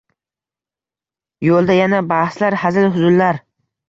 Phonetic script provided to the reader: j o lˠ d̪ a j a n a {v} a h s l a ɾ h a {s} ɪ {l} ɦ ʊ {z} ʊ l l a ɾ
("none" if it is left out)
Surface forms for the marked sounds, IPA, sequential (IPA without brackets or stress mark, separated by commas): b, z, l, z